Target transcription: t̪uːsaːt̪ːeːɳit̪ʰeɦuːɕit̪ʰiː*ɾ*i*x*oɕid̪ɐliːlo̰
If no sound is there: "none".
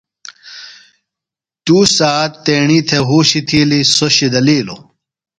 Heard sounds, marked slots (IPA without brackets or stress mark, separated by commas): l, s